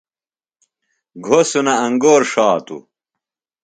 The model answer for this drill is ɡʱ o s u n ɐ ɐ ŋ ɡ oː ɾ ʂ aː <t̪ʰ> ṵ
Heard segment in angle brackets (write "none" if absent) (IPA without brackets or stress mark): t̪